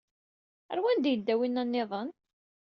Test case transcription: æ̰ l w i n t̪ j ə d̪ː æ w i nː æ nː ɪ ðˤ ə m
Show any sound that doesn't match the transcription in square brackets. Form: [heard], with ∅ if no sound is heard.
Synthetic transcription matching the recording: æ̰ [ɾ] w [æ] n [d̪] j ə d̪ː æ w i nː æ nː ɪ ðˤ ə [n]